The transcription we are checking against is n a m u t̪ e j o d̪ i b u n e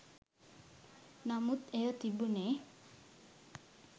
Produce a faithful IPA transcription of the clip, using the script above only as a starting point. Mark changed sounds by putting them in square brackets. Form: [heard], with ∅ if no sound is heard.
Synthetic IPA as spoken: n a m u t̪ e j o [t̪] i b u n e